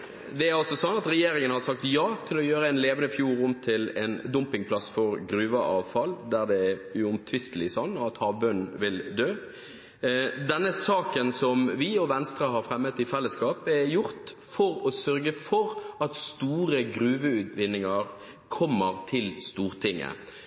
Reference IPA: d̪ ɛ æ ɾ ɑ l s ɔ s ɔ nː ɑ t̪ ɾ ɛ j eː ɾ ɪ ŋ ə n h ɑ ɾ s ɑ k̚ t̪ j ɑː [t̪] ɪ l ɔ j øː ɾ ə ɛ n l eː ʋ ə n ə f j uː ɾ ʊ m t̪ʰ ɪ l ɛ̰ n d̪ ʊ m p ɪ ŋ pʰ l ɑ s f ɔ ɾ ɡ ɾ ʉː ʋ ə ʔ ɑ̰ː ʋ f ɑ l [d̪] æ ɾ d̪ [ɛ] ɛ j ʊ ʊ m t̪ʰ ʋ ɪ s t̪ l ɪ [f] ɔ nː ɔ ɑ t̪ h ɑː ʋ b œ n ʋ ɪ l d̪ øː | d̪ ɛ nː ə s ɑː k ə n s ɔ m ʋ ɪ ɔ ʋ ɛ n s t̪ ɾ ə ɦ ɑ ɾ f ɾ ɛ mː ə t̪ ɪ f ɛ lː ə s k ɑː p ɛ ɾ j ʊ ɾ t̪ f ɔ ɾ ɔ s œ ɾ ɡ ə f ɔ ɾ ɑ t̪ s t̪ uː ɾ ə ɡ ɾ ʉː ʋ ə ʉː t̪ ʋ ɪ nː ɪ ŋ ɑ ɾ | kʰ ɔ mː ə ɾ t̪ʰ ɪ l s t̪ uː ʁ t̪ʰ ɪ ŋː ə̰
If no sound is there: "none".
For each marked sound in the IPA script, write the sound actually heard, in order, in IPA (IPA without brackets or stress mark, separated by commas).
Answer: t̪ʰ, d̪, ɛ, s